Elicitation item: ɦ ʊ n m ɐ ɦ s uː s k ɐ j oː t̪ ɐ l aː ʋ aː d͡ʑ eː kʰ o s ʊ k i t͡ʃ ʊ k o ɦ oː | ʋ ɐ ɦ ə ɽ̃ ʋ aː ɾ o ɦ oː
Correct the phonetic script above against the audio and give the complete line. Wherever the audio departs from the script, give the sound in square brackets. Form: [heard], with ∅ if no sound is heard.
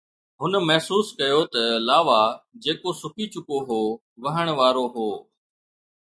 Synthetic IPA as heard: ɦ ʊ n m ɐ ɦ s uː s k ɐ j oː t̪ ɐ l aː ʋ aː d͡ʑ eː [k] o s ʊ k i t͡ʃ ʊ k o ɦ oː | ʋ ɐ ɦ ə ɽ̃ ʋ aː ɾ o ɦ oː